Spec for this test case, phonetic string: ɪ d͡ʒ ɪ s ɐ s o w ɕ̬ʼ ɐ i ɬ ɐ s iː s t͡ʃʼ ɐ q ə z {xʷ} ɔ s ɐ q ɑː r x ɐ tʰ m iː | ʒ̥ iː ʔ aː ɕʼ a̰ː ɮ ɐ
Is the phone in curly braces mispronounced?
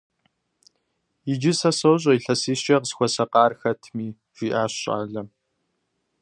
no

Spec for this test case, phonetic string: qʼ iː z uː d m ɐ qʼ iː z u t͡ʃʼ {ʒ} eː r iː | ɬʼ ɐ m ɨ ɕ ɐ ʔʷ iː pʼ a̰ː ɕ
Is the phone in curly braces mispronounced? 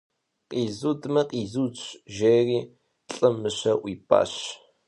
no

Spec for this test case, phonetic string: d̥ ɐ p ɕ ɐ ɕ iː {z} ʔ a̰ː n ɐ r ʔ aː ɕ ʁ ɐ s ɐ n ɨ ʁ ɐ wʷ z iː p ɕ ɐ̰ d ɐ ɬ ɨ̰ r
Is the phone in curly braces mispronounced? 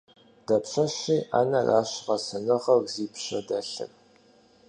yes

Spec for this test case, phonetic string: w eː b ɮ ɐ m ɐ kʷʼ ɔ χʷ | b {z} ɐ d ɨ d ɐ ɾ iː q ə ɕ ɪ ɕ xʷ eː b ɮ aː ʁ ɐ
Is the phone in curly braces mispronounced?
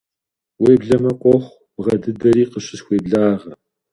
yes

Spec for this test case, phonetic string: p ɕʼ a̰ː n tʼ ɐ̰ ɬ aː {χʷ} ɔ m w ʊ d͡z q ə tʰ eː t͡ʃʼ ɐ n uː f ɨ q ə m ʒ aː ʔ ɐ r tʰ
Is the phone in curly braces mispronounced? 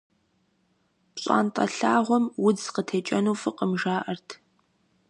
yes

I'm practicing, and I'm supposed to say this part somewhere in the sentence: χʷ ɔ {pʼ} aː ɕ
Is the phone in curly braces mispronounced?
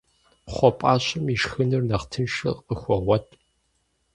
no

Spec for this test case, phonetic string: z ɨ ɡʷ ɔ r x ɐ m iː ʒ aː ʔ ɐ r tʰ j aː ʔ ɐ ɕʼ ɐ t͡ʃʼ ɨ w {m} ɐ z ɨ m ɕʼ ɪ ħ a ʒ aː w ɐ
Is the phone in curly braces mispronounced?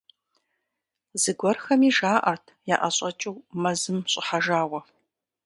no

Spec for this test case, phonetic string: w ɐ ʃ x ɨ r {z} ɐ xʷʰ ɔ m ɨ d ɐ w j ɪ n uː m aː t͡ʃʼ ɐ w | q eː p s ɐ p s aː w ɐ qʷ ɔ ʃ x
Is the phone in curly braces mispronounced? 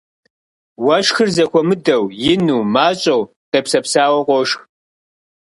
no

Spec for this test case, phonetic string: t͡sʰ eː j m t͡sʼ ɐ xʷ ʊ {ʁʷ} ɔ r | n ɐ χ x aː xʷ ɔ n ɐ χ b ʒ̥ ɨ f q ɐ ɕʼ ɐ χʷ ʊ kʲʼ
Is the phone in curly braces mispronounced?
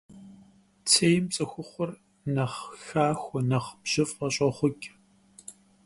yes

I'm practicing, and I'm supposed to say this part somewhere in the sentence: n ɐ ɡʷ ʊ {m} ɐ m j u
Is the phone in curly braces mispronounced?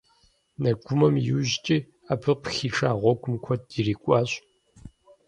no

